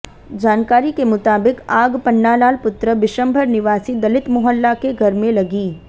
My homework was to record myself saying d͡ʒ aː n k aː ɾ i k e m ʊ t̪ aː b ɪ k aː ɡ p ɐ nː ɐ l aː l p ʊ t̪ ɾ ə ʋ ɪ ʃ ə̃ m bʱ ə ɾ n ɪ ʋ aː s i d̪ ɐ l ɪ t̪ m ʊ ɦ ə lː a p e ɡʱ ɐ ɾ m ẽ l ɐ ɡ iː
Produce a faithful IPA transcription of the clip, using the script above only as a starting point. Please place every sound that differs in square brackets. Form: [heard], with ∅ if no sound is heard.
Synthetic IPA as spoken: d͡ʒ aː n k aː ɾ i k e m ʊ t̪ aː b ɪ k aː ɡ p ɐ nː [a] l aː l p ʊ t̪ ɾ ə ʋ ɪ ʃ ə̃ m bʱ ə ɾ n ɪ ʋ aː s i d̪ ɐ l ɪ t̪ m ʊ ɦ ə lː a [k] e ɡʱ ɐ ɾ m ẽ l ɐ ɡ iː